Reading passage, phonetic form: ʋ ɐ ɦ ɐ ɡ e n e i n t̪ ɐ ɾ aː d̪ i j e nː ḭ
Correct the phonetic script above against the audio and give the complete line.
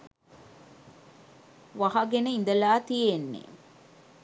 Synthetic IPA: ʋ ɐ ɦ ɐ ɡ e n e i n d̪ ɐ l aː t̪ i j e nː ḛ